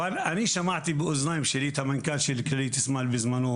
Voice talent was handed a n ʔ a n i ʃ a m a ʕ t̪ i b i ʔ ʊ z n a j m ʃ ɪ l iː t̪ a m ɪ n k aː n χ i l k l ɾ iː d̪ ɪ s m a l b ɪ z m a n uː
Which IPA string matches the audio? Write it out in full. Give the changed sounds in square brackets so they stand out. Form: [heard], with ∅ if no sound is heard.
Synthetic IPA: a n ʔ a n i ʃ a m a ʕ t̪ i b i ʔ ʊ z n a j m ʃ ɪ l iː t̪ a m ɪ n k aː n [ʃ] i l k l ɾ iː [t̪] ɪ s m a l b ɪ z m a n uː